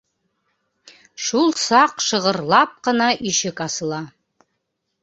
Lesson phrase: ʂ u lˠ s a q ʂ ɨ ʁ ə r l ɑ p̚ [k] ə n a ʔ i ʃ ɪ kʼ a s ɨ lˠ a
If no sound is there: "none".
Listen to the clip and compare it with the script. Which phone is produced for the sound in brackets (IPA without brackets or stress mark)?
q